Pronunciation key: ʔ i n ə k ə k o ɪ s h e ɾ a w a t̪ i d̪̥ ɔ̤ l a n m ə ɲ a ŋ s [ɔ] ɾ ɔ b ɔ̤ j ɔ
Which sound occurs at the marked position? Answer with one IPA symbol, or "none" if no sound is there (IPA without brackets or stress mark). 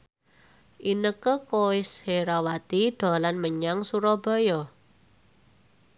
u